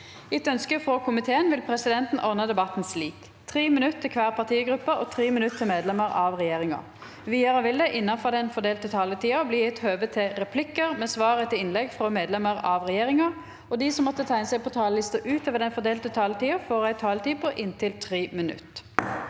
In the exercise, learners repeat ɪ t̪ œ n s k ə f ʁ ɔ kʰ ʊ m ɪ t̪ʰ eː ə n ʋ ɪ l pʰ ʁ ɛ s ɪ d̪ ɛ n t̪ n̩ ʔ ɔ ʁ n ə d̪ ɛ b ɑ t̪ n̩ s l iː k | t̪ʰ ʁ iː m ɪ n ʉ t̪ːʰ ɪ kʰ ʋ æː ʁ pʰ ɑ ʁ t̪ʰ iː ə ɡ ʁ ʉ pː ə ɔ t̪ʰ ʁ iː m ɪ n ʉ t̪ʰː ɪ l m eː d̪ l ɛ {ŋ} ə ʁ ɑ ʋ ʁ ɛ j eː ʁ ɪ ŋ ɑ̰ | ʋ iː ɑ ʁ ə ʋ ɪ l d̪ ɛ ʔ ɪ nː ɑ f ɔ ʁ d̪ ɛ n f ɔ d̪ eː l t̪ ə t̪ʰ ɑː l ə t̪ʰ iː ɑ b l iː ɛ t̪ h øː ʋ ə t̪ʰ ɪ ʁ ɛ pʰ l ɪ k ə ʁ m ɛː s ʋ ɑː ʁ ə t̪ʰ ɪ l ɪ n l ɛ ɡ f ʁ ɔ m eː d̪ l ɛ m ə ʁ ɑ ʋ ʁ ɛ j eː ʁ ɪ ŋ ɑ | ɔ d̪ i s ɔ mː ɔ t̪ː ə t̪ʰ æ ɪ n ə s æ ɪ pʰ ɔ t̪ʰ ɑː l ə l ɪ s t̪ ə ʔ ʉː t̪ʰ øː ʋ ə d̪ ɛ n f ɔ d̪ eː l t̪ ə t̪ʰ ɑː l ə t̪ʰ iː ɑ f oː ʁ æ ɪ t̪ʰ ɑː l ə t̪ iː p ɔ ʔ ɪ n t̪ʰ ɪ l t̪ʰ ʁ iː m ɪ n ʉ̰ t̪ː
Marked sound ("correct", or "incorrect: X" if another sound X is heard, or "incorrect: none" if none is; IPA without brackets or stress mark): incorrect: m